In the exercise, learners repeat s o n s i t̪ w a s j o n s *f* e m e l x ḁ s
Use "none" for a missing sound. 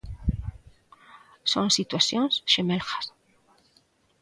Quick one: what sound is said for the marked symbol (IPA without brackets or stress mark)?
ʃ